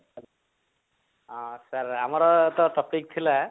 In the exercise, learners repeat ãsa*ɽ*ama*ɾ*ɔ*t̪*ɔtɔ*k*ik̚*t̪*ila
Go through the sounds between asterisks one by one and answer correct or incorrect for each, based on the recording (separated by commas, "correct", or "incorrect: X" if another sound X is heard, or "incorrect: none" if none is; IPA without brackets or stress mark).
incorrect: ɾ, correct, correct, incorrect: p, incorrect: t̪ʰ